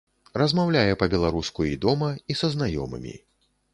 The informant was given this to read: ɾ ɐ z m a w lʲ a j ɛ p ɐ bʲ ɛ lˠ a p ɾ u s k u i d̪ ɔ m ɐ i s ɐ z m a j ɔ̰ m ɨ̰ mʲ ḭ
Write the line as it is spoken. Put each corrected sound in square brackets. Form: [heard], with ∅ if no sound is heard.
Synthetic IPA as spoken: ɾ ɐ z m a w lʲ a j ɛ p ɐ bʲ ɛ lˠ a [∅] ɾ u s k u i d̪ ɔ m ɐ i s ɐ z [n] a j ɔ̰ m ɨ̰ mʲ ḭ